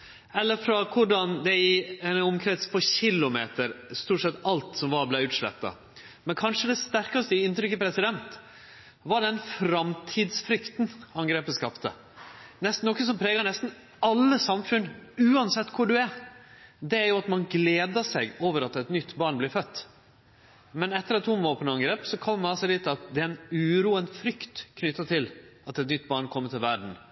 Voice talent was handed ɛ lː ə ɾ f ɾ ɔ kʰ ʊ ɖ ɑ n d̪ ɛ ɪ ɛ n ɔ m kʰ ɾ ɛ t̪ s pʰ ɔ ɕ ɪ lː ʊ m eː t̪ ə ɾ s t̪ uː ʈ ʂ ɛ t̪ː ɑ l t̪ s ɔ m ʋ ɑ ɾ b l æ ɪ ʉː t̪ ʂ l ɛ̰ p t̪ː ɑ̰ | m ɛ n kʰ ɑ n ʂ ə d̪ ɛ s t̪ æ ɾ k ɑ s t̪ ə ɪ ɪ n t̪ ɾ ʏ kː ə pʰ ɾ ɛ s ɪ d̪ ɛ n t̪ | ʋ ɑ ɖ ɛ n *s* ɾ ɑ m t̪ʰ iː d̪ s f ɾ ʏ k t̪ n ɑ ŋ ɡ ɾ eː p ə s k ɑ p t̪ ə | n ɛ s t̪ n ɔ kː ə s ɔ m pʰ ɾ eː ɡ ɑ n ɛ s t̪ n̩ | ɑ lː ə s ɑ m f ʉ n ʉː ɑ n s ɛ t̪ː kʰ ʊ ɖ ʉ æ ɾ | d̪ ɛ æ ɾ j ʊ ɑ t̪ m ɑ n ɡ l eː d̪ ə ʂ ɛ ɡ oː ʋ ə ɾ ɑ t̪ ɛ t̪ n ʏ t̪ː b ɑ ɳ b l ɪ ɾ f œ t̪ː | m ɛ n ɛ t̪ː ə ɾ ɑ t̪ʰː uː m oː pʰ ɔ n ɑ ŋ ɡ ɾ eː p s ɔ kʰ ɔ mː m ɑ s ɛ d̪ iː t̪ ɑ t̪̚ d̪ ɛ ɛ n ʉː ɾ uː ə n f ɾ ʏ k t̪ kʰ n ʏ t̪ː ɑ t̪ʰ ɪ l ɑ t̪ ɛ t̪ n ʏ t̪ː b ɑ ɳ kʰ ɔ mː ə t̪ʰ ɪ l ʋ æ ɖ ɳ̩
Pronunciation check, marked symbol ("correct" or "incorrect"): incorrect